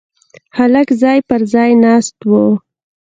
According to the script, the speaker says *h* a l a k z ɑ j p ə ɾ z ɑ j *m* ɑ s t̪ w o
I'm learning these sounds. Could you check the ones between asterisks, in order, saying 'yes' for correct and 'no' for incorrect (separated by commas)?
yes, no